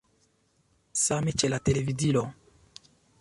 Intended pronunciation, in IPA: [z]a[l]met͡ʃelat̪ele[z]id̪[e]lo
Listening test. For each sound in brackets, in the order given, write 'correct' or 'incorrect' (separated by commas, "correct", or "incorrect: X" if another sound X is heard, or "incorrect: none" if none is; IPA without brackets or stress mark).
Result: incorrect: s, incorrect: none, incorrect: v, incorrect: i